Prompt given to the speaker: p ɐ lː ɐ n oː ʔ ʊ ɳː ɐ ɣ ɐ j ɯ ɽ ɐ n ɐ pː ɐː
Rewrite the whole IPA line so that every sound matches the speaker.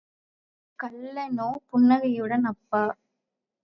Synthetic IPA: k ɐ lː ɐ n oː p ʊ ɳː ɐ ɣ ɐ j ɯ ɽ ɐ n ɐ pː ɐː

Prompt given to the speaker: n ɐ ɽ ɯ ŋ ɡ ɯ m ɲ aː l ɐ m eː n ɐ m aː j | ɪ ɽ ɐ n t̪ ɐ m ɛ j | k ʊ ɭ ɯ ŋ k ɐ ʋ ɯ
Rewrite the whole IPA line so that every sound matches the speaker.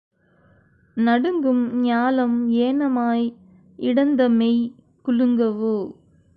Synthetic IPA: n ɐ ɽ ɯ ŋ ɡ ɯ m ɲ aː l ɐ m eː n ɐ m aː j | ɪ ɽ ɐ n d̪ ɐ m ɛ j | k ʊ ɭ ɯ ŋ ɡ ɐ ʋ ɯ

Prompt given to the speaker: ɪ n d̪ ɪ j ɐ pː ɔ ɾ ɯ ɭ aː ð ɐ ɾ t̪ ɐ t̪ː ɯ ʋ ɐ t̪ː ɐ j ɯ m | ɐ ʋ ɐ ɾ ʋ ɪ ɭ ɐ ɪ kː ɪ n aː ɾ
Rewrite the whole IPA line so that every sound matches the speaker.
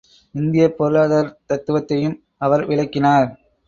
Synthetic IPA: ɪ n d̪ ɪ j ɐ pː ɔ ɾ ɯ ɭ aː ð ɐ ɾ t̪ ɐ t̪ː ɯ ʋ ɐ t̪ː ɐ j ɯ m | ɐ ʋ ɐ ɾ ʋ ɪ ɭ ɐ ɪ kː ɪ n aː ɾ

